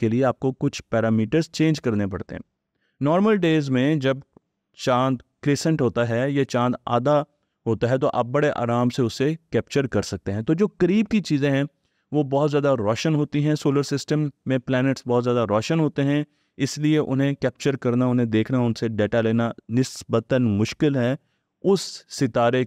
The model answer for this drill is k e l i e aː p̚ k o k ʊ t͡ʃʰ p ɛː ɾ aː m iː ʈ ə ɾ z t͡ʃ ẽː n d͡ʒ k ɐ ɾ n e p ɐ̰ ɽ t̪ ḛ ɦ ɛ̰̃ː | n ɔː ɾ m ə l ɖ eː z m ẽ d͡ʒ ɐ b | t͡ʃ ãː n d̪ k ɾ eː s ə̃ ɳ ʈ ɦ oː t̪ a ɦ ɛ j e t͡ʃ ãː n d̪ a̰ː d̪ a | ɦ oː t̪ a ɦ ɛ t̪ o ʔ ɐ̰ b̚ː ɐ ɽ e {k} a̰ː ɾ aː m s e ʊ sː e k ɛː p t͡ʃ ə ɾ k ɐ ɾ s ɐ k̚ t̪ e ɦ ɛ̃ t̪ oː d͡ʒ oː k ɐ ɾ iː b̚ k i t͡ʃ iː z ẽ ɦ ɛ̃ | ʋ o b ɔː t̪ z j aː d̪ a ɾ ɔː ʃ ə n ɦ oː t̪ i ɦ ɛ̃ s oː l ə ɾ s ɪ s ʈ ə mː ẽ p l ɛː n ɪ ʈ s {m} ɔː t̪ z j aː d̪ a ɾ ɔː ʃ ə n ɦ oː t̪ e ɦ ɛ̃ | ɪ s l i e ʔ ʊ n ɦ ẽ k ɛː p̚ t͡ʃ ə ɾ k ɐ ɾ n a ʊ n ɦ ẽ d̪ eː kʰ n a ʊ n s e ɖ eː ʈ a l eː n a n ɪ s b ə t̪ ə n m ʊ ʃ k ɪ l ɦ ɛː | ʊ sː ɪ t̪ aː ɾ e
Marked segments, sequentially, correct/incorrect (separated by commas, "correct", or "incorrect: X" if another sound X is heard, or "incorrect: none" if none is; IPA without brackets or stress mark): incorrect: ʔ, incorrect: b